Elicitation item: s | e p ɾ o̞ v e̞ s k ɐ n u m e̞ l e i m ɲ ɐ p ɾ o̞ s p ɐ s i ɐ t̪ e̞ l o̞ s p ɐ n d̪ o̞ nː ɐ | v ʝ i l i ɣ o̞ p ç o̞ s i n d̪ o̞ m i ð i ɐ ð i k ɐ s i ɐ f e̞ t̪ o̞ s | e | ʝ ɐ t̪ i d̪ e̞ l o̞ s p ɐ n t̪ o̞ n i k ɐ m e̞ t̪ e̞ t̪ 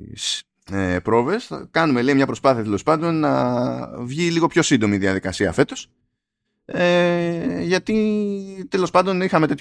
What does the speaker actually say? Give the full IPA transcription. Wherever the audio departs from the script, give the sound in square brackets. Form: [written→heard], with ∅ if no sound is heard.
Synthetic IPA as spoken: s | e p ɾ o̞ v e̞ s k ɐ n u m e̞ l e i m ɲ ɐ p ɾ o̞ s p ɐ [s→θ] i ɐ t̪ e̞ l o̞ s p ɐ n d̪ o̞ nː ɐ | v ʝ i l i ɣ o̞ p ç o̞ s i n d̪ o̞ m i ð i ɐ ð i k ɐ s i ɐ f e̞ t̪ o̞ s | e | ʝ ɐ t̪ i [d̪→t̪] e̞ l o̞ s p ɐ n [t̪→d̪] o̞ n i [k→x] ɐ m e̞ t̪ e̞ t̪